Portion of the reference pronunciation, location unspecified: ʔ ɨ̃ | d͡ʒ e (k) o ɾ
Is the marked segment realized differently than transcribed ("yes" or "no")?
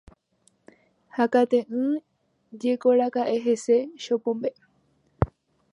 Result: no